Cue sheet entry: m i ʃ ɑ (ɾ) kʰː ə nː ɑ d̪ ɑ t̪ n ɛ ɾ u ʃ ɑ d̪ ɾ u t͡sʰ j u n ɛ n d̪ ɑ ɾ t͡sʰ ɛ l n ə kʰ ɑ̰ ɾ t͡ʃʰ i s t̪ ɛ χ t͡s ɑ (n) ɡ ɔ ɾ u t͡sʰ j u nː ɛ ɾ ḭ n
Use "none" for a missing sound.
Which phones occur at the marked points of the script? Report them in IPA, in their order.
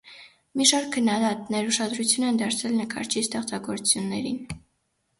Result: ɾ, none

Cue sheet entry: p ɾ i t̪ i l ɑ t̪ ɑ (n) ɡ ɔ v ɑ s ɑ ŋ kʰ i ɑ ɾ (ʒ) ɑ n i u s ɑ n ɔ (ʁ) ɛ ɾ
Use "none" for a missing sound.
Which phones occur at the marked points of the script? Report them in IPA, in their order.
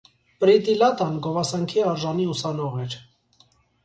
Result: n, ʒ, ʁ

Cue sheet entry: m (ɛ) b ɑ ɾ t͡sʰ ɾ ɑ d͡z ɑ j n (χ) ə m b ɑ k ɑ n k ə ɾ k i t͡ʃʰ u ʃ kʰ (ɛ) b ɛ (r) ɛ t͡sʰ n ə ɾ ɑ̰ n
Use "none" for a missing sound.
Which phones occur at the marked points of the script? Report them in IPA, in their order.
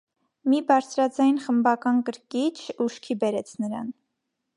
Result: i, χ, i, ɾ

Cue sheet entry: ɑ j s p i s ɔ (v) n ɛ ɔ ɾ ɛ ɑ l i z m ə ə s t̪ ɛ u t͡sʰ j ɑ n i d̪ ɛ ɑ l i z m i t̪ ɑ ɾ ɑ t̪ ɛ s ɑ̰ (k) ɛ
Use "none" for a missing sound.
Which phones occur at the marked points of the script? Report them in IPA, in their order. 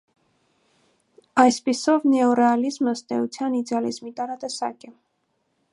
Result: v, k

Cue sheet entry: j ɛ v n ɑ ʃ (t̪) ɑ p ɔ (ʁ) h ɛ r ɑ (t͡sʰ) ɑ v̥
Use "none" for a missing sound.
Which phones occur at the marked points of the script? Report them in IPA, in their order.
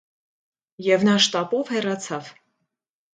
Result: t̪, v, t͡sʰ

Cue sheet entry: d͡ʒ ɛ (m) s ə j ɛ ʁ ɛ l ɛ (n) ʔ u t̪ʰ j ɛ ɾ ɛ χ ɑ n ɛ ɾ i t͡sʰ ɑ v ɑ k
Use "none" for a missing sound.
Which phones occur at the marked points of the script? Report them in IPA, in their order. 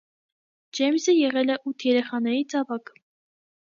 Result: m, none

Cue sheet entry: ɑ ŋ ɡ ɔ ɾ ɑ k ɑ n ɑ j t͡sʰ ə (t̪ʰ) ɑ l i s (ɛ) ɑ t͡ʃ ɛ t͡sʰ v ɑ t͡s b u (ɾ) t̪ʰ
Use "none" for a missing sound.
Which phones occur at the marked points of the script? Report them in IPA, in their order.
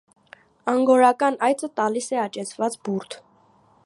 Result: t̪, ɛ, ɾ

